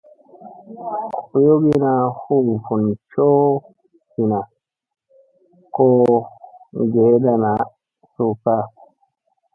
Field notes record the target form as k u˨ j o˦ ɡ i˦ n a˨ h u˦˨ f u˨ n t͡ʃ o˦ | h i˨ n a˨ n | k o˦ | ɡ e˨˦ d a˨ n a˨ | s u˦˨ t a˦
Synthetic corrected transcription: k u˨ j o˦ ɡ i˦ n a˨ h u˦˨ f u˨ n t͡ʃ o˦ | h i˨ n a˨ | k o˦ | ɡ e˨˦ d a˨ n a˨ | s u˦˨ k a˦

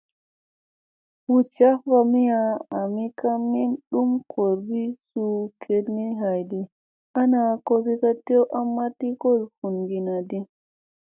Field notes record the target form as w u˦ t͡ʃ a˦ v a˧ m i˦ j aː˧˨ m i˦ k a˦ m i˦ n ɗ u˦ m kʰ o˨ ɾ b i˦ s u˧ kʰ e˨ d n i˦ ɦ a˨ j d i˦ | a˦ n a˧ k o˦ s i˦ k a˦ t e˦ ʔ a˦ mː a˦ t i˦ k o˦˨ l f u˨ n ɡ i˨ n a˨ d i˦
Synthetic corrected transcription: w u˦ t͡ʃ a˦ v a˧ m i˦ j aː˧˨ m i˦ k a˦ m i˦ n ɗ u˦ m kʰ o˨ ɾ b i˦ s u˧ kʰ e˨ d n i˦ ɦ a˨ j d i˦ | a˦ n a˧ k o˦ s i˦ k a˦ t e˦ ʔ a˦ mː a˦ t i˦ k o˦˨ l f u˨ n ɡ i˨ n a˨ d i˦

